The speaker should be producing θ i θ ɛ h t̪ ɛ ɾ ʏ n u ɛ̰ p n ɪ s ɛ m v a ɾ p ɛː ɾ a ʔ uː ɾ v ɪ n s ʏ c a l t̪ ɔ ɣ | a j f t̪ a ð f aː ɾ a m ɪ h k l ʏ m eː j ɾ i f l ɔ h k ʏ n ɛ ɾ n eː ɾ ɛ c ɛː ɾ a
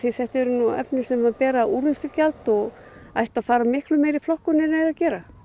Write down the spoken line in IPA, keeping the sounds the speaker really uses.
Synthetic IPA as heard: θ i θ ɛ h t̪ ɛ ɾ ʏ n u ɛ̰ p n ɪ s ɛ m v a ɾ p ɛː ɾ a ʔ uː ɾ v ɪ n s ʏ c a l t̪ ɔ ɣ | a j h t̪ a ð f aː ɾ a m ɪ h k l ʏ m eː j ɾ i f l ɔ h k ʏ n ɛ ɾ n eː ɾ a c ɛː ɾ a